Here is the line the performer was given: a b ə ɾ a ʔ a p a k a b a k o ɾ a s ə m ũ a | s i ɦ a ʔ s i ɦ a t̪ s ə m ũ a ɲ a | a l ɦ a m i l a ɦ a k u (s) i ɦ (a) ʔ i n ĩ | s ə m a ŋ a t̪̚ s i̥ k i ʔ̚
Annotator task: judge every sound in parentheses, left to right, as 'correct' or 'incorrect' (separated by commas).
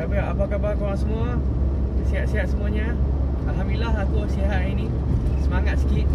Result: correct, correct